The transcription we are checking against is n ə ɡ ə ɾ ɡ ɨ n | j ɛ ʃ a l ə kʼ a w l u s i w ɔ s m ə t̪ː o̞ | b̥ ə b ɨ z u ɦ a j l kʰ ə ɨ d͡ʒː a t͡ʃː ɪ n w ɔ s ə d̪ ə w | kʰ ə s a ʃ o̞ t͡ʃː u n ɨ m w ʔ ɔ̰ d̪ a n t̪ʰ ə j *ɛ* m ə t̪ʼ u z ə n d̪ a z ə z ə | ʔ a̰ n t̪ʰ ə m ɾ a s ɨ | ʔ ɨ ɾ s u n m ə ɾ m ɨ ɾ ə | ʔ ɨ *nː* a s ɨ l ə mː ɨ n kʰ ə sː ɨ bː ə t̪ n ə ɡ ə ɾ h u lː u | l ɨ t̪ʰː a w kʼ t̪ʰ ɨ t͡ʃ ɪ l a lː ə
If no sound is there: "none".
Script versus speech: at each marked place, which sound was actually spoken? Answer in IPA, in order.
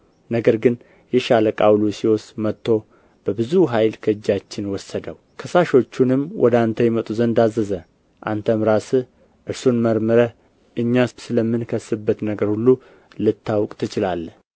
ɛ, ɲː

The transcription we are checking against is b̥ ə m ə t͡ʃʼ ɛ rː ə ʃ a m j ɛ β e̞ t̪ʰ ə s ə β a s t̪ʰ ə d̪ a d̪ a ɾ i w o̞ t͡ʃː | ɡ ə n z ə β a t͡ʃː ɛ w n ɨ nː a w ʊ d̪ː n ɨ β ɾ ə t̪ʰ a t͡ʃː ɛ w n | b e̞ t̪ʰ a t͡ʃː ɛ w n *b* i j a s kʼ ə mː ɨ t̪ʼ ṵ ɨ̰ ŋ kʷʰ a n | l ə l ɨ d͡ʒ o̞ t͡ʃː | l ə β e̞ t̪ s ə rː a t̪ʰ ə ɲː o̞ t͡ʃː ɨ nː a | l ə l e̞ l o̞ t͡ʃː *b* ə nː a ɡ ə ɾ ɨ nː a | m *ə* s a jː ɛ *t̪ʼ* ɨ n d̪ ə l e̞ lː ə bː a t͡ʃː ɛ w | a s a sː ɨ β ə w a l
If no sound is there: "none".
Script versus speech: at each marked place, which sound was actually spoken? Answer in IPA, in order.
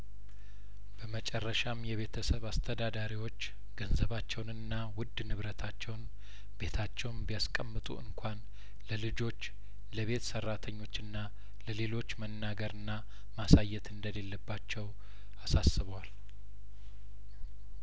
b, m, a, t̪

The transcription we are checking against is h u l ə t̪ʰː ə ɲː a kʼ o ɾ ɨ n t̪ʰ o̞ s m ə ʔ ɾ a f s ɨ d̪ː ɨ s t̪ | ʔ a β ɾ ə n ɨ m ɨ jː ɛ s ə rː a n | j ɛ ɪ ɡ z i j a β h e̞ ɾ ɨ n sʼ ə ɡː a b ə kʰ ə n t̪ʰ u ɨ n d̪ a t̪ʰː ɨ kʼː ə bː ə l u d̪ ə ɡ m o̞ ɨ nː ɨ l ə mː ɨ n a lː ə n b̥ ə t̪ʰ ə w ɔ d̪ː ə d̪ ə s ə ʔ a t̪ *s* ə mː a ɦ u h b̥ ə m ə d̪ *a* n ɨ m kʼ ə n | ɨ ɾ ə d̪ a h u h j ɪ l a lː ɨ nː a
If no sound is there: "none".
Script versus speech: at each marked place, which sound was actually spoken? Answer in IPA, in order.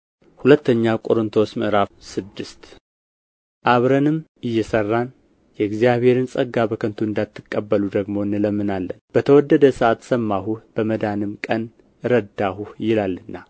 s, a

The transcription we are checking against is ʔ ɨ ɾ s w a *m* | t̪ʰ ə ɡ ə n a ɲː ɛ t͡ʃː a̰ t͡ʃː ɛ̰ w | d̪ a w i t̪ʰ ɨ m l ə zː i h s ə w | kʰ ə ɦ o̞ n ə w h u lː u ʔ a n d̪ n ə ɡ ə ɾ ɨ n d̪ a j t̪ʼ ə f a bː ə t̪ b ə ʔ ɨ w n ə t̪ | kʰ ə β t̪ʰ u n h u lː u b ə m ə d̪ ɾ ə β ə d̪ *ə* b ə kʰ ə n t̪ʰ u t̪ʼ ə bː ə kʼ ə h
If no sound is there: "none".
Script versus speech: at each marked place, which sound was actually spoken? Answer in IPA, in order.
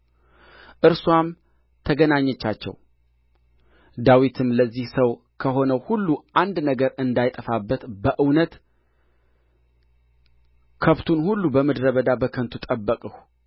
m, a

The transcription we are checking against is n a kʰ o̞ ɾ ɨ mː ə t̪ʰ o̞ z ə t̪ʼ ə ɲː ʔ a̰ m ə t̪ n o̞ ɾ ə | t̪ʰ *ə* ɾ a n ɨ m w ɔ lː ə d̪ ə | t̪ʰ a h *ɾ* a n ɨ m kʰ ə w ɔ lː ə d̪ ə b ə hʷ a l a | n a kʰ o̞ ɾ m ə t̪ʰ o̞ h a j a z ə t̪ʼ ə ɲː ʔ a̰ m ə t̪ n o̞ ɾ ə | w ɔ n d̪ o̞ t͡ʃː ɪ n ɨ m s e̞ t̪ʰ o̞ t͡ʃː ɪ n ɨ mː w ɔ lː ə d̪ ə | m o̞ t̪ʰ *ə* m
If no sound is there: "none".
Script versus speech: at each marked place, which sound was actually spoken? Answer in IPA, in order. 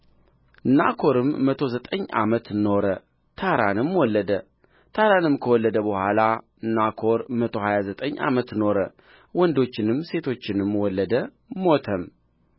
a, ɾ, ə

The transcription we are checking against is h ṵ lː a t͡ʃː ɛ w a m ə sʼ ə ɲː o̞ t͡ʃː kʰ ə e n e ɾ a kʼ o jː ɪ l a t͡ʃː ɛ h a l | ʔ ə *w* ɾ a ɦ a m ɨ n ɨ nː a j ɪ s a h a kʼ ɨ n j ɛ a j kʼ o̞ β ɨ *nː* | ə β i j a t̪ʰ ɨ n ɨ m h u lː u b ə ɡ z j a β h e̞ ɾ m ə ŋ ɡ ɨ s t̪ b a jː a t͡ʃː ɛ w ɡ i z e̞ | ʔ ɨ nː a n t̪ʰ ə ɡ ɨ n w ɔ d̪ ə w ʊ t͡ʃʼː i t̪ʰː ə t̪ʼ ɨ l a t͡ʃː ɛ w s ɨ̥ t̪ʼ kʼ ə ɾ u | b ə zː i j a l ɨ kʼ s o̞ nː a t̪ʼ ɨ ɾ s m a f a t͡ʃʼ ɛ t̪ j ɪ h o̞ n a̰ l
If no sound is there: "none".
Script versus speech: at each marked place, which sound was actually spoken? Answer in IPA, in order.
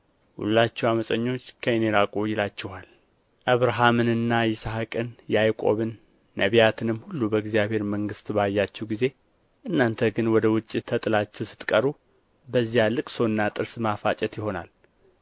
β, nː

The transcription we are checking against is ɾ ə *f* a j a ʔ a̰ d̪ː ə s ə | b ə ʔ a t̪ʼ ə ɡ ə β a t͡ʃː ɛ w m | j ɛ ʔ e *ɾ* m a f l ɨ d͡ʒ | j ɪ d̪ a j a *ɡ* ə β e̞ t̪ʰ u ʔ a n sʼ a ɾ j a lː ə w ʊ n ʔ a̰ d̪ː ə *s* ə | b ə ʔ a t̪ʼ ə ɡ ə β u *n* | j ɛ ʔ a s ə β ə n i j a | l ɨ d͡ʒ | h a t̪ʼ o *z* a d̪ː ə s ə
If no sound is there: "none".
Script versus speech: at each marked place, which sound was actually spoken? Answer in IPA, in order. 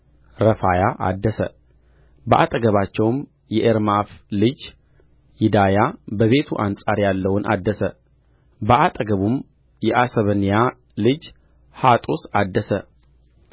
f, ɾ, b, s, m, s

